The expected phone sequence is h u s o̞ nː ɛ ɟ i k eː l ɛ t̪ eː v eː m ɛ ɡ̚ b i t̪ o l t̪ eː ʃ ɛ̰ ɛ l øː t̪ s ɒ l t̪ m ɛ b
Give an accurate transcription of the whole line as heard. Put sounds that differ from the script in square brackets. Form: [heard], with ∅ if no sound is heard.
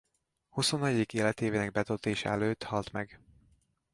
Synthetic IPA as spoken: h u s o̞ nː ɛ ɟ i k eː l ɛ t̪ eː v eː [n] ɛ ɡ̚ b [ɛ] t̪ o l t̪ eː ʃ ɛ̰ ɛ l øː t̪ [h] ɒ l t̪ m ɛ [ɡ]